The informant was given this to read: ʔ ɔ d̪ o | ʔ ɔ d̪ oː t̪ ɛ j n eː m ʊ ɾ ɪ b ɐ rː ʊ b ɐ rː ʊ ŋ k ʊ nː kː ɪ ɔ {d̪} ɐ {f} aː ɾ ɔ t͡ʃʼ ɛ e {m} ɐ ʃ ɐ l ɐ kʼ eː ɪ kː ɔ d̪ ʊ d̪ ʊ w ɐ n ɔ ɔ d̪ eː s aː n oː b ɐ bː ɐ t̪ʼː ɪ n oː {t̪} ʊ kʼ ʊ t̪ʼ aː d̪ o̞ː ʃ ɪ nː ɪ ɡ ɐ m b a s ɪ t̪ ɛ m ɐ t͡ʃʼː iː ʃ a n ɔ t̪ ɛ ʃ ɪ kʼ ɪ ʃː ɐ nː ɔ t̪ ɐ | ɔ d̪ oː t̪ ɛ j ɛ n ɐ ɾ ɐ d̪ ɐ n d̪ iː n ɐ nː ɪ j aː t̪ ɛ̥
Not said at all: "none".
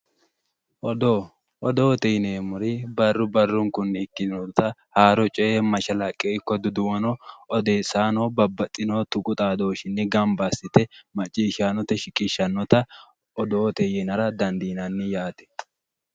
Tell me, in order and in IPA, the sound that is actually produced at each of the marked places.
t̪, h, m, t̪

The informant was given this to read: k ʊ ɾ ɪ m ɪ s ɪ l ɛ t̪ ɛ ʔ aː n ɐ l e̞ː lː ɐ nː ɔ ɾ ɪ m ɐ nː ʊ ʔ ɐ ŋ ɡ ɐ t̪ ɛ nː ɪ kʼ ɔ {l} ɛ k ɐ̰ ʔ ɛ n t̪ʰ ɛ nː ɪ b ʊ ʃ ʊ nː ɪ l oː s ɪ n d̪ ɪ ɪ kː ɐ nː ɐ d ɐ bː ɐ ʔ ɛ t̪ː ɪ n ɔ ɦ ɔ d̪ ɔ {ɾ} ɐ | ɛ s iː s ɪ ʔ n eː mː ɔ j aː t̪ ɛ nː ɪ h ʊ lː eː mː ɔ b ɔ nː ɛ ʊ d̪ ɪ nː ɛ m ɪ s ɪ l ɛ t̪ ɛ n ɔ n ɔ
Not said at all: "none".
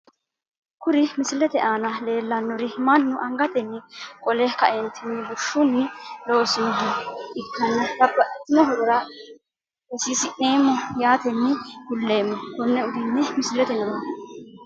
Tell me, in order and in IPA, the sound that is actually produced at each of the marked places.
l, ɾ

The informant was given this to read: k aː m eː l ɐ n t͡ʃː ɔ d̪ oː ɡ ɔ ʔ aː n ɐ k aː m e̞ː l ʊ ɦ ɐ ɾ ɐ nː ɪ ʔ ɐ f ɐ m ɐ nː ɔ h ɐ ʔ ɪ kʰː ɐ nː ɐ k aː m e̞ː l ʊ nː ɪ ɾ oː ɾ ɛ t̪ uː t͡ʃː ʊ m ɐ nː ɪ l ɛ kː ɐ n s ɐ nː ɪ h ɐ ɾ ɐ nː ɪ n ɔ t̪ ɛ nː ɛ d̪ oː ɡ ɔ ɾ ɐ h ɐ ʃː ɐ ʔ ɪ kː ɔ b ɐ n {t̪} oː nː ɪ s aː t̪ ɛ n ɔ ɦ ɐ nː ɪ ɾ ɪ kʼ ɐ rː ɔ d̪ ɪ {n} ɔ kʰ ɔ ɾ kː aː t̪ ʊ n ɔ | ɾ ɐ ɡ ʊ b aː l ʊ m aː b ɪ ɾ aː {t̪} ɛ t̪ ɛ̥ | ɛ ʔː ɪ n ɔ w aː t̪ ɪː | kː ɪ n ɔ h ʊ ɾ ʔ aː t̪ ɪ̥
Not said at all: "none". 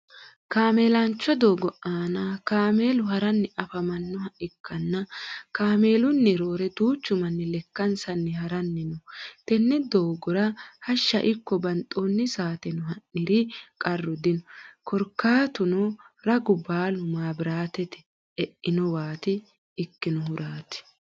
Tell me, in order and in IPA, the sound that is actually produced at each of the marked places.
t̪ʼ, n, t̪

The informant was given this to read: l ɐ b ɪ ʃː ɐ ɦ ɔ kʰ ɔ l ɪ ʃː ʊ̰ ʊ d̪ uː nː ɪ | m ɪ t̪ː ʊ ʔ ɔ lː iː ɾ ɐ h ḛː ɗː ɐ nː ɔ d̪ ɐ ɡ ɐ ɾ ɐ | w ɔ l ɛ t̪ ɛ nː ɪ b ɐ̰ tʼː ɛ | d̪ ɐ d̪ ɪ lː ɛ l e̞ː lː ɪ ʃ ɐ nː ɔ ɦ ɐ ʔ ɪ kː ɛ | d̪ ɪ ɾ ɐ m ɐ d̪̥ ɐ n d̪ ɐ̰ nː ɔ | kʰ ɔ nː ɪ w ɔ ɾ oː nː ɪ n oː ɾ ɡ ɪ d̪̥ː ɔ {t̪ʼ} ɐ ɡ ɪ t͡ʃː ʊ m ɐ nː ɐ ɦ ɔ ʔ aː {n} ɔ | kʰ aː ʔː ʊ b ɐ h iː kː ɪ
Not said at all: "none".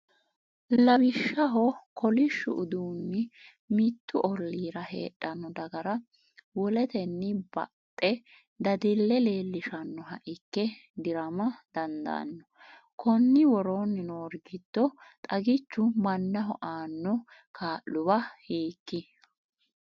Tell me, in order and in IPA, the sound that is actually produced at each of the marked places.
t̪ʼ, nː

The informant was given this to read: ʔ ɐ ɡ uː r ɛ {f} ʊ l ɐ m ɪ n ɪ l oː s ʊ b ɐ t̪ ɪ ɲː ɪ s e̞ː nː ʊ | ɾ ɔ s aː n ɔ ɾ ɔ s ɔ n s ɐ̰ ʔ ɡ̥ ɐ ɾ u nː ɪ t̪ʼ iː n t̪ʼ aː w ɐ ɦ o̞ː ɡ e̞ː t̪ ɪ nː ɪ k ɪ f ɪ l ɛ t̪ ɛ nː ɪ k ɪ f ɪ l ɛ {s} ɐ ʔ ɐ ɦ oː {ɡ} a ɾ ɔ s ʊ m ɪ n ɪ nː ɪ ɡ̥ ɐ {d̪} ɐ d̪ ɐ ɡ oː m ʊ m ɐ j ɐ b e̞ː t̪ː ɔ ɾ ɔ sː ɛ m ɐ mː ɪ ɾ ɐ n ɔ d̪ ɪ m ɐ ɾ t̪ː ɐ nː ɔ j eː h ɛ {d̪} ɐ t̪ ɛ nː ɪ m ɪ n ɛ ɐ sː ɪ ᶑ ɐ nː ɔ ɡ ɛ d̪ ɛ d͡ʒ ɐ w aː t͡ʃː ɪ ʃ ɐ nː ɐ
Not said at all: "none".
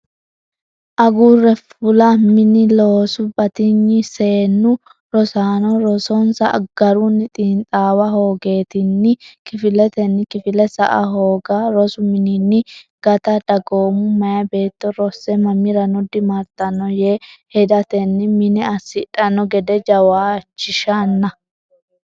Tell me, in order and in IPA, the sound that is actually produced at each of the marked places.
f, s, ɡ, t̪, d̪

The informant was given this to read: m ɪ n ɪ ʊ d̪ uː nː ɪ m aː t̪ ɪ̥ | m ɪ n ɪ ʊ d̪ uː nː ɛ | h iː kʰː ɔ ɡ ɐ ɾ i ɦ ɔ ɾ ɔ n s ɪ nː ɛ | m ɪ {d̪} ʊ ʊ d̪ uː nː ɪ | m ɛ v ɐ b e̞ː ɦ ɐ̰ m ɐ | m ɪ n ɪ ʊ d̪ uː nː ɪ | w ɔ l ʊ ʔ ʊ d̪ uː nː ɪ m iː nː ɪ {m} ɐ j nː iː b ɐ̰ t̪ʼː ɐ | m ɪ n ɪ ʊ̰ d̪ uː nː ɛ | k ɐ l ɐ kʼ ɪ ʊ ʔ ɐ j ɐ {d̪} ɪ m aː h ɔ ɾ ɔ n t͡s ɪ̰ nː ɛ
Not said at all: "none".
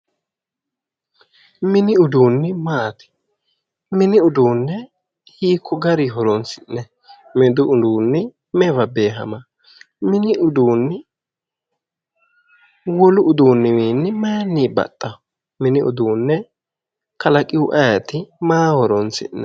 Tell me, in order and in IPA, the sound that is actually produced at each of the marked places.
d̪, m, t̪

